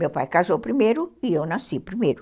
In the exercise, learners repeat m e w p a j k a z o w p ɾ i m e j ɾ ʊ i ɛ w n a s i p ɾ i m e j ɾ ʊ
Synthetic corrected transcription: m e w p a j k a z o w p ɾ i m e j ɾ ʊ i e w n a s i p ɾ i m e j ɾ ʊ

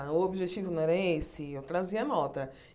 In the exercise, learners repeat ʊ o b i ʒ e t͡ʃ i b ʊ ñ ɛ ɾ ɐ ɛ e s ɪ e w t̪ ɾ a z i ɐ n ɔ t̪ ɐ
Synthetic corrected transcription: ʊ o b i ʒ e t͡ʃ i v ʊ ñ ɛ ɾ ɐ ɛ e s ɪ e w t̪ ɾ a z i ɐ n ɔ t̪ ɐ

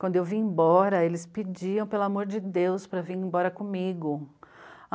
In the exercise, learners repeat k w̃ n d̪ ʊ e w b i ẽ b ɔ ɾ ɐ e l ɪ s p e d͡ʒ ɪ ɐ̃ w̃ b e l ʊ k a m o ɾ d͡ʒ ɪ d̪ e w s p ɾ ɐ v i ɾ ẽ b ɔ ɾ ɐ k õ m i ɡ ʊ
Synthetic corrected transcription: k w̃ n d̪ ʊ e w v i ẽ b ɔ ɾ ɐ e l ɪ s p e d͡ʒ i ɐ̃ w̃ p e l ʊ a m o ɾ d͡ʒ ɪ d̪ e w s p ɾ ɐ v i ɾ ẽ b ɔ ɾ ɐ k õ m i ɡ ʊ

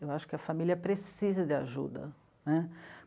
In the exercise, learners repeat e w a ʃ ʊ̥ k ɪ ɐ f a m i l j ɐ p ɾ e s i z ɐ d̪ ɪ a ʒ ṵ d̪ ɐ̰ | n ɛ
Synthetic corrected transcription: e w a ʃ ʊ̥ k ɪ ɐ f a m i l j ɐ p ɾ e s i z ɐ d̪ ɪ a ʒ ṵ d̪ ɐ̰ | n ɛ

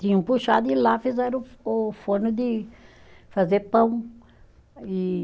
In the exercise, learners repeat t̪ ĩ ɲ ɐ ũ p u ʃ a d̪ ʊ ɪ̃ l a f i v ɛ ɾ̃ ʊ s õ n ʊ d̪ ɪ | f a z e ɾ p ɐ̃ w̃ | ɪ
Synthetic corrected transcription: t̪ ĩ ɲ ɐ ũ p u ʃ a d̪ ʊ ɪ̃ l a f i z ɛ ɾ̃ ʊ f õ n ʊ d̪ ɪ | f a z e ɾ p ɐ̃ w̃ | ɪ

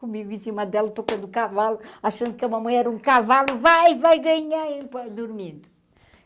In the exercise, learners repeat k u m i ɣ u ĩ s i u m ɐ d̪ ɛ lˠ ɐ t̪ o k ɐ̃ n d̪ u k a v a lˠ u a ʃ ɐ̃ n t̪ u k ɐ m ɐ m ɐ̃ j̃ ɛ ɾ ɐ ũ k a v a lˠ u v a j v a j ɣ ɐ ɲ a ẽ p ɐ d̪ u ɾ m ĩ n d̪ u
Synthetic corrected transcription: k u m i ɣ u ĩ s i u m ɐ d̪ ɛ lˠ ɐ t̪ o k ɐ̃ n d̪ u k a v a lˠ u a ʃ ɐ̃ n d̪ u k ɐ m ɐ m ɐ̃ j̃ ɛ ɾ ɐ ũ k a v a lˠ u v a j v a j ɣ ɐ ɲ a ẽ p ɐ d̪ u ɾ m ĩ n d̪ u

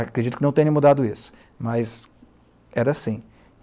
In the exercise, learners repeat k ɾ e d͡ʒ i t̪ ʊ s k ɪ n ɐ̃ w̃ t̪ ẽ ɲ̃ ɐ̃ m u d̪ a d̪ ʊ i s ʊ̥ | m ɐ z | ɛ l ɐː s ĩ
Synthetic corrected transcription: k ɾ e d͡ʒ i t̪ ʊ k ɪ n ɐ̃ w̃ t̪ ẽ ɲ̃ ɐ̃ m u d̪ a d̪ ʊ i s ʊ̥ | m ɐ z | ɛ ɾ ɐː s ĩ

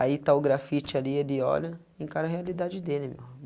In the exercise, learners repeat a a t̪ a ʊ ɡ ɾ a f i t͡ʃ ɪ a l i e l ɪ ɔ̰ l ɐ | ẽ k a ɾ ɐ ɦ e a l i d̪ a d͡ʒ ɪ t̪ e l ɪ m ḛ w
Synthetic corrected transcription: a i t̪ a ʊ ɡ ɾ a f i t͡ʃ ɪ a l i e l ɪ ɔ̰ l ɐ | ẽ k a ɾ ɐ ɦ e a l i d̪ a d͡ʒ ɪ d̪ e l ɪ m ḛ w

